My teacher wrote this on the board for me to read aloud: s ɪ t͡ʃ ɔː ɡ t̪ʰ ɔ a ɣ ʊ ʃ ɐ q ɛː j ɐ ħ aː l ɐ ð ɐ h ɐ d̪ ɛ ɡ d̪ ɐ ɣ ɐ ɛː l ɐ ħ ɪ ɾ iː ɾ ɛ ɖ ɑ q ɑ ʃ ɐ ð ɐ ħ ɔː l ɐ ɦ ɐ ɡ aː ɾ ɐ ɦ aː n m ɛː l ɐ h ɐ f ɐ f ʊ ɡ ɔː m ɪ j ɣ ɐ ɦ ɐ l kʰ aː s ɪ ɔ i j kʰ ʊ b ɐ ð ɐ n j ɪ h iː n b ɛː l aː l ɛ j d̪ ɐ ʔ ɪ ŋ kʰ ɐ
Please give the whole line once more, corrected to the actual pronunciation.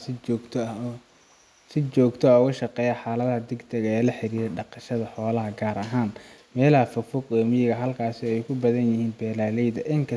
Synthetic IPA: s ɪ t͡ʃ ɔː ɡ t̪ʰ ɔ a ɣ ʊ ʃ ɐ q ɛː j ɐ ħ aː l ɐ ð ɐ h ɐ d̪ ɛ ɡ d̪ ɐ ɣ ɐ ɛː l ɐ ħ ɪ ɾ iː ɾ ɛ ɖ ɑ q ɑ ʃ ɐ ð ɐ ħ ɔː l ɐ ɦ ɐ ɡ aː ɾ ɐ ɦ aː n m ɛː l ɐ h ɐ f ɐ f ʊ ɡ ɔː m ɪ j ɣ ɐ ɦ ɐ l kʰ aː s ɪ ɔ ɛ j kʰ ʊ b ɐ ð ɐ n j ɪ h iː n b ɛː l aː l ɛ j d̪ ɐ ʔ ɪ ŋ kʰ ɐ